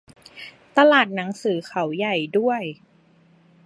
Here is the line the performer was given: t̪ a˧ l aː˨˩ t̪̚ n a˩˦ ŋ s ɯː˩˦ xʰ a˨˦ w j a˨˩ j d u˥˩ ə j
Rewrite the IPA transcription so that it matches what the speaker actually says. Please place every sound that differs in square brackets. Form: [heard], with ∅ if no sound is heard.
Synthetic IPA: t̪ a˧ l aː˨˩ t̪̚ n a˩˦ ŋ s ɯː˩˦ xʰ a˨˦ w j a˨˩ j d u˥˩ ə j